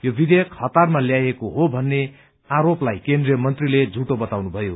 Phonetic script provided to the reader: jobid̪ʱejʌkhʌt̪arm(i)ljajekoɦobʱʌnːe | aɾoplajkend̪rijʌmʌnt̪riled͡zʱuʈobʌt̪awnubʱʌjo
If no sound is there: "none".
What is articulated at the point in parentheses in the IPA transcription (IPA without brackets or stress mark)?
a